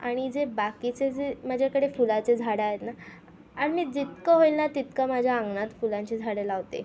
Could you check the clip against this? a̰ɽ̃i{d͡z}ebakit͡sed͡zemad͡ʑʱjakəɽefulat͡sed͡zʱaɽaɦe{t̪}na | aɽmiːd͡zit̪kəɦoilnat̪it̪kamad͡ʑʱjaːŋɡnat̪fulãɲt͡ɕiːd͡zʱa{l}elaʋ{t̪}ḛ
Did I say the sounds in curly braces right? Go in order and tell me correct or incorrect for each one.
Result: correct, correct, incorrect: ɽ, correct

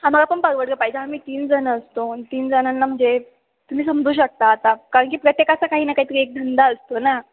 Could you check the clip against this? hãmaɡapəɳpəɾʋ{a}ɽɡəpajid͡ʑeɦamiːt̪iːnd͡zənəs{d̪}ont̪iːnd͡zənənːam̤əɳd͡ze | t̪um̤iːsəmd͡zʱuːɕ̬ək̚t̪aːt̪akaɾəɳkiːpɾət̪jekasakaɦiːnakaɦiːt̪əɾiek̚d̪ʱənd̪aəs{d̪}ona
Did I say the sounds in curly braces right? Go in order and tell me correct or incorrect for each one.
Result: incorrect: ə, incorrect: t̪, incorrect: t̪

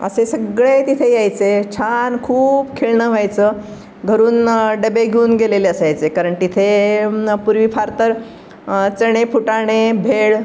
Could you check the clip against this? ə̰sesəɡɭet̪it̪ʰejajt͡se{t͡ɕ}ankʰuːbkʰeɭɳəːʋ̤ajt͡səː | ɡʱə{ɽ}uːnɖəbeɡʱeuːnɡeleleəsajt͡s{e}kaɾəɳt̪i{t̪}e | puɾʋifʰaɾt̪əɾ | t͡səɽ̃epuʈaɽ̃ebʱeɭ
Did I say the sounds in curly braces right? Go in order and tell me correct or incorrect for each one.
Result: incorrect: t͡ɕʰ, incorrect: ɾ, correct, incorrect: t̪ʰ

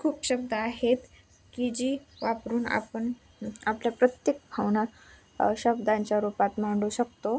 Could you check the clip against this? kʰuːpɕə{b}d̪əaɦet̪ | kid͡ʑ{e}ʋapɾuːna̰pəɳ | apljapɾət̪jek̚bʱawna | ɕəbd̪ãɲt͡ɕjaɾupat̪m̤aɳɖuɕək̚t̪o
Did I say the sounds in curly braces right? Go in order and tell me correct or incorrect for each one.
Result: correct, incorrect: i

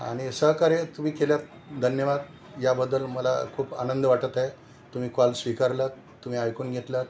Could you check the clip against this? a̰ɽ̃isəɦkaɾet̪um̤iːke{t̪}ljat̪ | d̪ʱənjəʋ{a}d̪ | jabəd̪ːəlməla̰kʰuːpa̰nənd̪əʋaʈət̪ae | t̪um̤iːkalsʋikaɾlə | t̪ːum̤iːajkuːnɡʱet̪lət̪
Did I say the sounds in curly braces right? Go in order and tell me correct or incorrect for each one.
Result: incorrect: none, correct

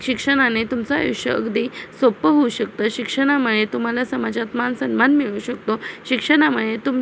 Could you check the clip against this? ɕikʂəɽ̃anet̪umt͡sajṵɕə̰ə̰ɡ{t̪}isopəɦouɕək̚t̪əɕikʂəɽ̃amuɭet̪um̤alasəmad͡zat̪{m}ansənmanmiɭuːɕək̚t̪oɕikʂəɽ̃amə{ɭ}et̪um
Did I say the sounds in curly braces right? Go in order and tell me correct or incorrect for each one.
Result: incorrect: d̪, correct, correct

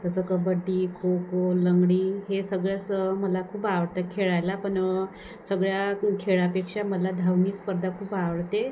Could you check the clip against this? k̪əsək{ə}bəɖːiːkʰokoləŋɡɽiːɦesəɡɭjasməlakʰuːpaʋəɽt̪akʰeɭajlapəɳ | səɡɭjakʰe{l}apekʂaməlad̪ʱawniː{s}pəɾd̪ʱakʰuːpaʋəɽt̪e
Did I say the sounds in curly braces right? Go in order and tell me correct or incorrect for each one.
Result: correct, incorrect: ɭ, correct

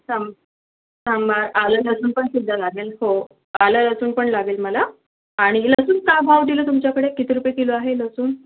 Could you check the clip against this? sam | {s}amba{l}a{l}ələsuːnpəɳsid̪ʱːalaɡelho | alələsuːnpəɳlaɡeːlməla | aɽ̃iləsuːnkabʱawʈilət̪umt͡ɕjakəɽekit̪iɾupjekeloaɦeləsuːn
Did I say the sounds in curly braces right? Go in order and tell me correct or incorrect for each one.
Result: correct, incorrect: ɾ, correct

